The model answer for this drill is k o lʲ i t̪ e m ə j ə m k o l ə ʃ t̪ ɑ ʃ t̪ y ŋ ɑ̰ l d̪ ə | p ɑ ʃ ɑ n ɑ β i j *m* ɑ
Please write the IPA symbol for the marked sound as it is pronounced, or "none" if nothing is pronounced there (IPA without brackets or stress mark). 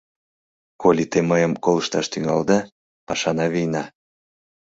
n